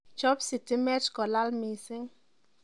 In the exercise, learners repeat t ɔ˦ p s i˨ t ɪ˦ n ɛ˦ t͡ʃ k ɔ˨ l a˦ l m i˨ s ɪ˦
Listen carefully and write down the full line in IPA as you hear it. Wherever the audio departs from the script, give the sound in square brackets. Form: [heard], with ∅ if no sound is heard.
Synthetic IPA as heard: [t͡ʃ] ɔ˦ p s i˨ t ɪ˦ [m] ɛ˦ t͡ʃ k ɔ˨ l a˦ l m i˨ s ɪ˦